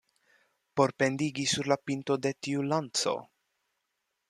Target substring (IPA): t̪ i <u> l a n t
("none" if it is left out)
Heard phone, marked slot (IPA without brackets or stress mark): u